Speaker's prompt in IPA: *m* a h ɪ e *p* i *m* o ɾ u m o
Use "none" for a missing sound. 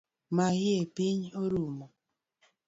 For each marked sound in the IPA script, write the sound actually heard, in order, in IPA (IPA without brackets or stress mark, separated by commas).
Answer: m, p, ɲ